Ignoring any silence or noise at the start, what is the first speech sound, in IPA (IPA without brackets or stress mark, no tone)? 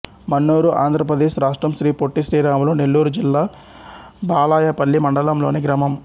m